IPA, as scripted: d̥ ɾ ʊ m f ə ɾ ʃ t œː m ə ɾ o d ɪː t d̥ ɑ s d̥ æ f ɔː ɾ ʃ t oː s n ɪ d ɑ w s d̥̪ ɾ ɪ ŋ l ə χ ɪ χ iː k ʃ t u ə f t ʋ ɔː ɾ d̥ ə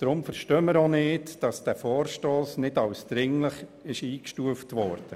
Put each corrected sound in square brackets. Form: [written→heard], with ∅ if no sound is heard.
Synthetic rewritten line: d̥ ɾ ʊ m f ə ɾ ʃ t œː m ə ɾ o [d→n] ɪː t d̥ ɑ s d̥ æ f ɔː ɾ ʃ t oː s n ɪ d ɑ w s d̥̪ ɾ ɪ ŋ l ə χ ɪ [χ→ʃ] iː k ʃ t u ə f t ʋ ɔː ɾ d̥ ə